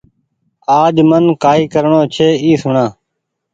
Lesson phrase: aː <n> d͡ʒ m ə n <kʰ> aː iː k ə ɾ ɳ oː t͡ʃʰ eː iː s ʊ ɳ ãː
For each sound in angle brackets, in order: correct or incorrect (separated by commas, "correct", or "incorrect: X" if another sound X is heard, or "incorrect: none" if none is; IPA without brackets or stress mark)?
incorrect: none, incorrect: k